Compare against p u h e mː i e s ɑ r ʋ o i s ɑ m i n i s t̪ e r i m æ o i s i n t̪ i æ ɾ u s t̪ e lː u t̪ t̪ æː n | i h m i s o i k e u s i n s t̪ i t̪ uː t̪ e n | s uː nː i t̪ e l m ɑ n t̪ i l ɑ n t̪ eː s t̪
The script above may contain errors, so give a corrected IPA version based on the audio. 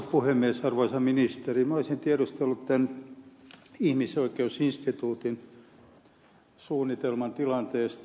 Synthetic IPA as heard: p u h e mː i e s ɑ r ʋ o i s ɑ m i n i s t̪ e r i m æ o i s i n t̪ i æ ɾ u s t̪ e lː u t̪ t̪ æ n | i h m i s o i k e u s i n s t̪ i t̪ uː t̪ i n | s uː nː i t̪ e l m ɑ n t̪ i l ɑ n t̪ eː s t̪